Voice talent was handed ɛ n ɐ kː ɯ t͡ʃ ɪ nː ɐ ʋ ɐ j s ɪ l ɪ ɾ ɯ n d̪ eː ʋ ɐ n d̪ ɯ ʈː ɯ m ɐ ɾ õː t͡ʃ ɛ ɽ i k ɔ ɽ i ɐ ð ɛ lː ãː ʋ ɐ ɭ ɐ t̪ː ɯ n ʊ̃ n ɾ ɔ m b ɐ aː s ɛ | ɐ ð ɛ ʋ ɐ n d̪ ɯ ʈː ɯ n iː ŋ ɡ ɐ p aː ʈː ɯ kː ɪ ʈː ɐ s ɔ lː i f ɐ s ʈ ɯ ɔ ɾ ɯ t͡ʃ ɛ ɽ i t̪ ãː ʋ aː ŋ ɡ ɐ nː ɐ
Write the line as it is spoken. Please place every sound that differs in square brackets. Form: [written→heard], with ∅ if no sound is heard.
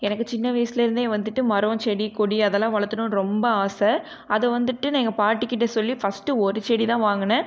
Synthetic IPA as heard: ɛ n ɐ kː ɯ t͡ʃ ɪ nː ɐ ʋ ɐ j s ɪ l ɪ ɾ ɯ n d̪ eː ʋ ɐ n d̪ ɯ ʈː ɯ m ɐ ɾ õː t͡ʃ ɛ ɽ i k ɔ ɽ i ɐ ð ɛ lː ãː ʋ ɐ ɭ ɐ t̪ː ɯ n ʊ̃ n ɾ ɔ m b ɐ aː s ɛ | ɐ ð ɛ ʋ ɐ n d̪ ɯ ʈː ɯ n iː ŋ ɡ ɐ p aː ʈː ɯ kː ɪ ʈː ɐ s ɔ lː i f ɐ s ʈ ɯ ɔ ɾ ɯ t͡ʃ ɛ ɽ i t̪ ãː ʋ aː ŋ ɡ ɐ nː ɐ

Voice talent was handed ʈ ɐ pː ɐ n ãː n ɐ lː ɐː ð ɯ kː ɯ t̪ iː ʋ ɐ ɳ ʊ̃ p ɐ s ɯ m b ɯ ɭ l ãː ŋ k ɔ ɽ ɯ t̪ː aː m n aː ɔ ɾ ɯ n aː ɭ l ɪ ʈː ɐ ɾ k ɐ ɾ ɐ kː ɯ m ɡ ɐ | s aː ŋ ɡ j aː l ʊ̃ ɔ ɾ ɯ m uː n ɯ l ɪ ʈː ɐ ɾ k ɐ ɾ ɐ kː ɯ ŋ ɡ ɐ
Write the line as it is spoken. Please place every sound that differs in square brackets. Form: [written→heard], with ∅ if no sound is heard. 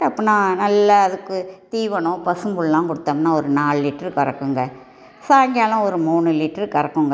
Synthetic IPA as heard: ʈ ɐ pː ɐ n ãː n ɐ lː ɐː ð ɯ kː ɯ t̪ iː ʋ ɐ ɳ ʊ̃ p ɐ s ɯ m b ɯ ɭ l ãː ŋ k ɔ ɽ ɯ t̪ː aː m n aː ɔ ɾ ɯ n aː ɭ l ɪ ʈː ɐ ɾ k ɐ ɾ ɐ kː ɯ [m→ŋ] ɡ ɐ | s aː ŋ ɡ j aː l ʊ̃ ɔ ɾ ɯ m uː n ɯ l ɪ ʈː ɐ ɾ k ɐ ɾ ɐ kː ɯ ŋ ɡ ɐ

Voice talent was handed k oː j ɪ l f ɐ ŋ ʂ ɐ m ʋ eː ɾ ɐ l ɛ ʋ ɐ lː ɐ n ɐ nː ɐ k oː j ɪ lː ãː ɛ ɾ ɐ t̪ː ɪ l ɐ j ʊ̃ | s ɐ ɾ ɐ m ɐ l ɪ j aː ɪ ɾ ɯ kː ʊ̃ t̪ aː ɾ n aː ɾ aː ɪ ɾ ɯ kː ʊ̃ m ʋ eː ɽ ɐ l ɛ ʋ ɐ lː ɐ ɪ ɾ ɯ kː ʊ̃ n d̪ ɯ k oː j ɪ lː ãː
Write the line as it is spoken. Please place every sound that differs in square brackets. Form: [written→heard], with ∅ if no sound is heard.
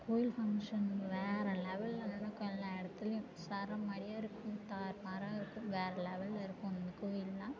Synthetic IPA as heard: k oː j ɪ l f ɐ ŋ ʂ ɐ [m→n] ʋ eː ɾ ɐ l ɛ ʋ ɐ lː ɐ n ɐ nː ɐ k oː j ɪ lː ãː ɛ [ɾ→ɽ] ɐ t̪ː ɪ l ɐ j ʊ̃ | s ɐ ɾ ɐ m ɐ [l→ɽ] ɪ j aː ɪ ɾ ɯ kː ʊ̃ t̪ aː ɾ [n→m] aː ɾ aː ɪ ɾ ɯ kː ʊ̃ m ʋ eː [ɽ→ɾ] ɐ l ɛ ʋ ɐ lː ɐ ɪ ɾ ɯ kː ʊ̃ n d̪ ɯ k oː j ɪ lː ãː

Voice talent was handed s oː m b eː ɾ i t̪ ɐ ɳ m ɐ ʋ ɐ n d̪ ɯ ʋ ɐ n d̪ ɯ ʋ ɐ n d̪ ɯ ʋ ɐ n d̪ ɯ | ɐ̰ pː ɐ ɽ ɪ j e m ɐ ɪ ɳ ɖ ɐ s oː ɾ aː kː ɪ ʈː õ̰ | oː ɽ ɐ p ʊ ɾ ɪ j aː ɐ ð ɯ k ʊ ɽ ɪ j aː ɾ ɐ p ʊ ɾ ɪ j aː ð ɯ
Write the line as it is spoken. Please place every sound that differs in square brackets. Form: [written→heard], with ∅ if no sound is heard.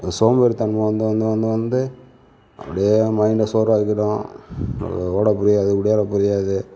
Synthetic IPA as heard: s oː m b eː ɾ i t̪ ɐ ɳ m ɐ ʋ ɐ n d̪ ɯ ʋ ɐ n d̪ ɯ ʋ ɐ n d̪ ɯ ʋ ɐ n d̪ ɯ | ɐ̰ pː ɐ ɽ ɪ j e m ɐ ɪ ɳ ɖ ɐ s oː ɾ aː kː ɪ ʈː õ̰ | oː ɽ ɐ p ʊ ɾ ɪ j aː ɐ ð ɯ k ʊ ɽ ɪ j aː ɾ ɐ p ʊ ɾ ɪ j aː ð ɯ

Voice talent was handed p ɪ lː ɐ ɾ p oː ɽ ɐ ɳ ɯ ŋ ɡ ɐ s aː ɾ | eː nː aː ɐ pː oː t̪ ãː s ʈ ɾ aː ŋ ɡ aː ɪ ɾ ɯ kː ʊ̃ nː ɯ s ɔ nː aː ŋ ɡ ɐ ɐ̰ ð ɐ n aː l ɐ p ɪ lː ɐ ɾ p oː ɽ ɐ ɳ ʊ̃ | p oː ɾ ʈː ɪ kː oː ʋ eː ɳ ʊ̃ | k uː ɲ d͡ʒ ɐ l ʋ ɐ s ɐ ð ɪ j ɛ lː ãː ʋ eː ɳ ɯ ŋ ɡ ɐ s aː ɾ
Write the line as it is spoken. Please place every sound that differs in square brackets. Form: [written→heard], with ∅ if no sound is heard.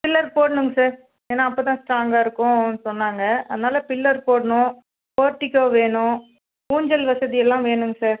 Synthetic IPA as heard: p ɪ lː ɐ ɾ p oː ɽ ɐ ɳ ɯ ŋ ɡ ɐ s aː ɾ | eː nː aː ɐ pː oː t̪ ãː s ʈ ɾ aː ŋ ɡ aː ɪ ɾ ɯ kː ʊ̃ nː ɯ s ɔ nː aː ŋ ɡ ɐ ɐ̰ ð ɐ n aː l ɐ p ɪ lː ɐ ɾ p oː ɽ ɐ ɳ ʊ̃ | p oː ɾ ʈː ɪ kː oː ʋ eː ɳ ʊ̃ | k uː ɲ d͡ʒ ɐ l ʋ ɐ s ɐ ð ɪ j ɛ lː ãː ʋ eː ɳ ɯ ŋ ɡ ɐ s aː ɾ

